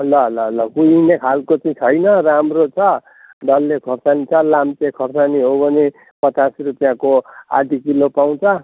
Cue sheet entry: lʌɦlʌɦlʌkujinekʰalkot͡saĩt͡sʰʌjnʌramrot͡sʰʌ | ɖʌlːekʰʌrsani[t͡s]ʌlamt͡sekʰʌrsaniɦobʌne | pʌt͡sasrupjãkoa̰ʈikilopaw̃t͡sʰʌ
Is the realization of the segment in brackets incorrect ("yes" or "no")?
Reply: yes